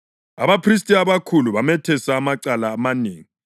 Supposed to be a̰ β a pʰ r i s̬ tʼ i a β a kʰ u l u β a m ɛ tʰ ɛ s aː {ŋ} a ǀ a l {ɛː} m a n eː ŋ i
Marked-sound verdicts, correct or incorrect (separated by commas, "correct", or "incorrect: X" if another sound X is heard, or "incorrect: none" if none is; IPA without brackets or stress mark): incorrect: m, incorrect: aː